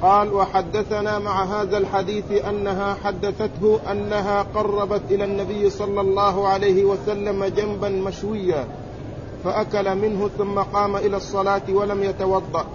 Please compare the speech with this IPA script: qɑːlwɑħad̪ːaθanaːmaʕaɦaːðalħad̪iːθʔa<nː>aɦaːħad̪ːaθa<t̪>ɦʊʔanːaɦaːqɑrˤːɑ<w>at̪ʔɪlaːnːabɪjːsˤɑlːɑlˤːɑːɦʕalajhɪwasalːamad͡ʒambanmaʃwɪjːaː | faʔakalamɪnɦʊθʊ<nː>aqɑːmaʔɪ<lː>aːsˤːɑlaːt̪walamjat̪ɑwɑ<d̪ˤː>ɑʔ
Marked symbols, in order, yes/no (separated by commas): yes, yes, no, no, no, yes